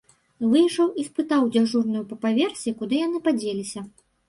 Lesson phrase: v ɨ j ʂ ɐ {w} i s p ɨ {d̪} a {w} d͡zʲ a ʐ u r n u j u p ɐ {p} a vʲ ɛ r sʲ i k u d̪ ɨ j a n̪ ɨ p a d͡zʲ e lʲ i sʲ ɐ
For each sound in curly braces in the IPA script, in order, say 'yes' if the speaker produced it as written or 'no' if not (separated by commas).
yes, no, yes, yes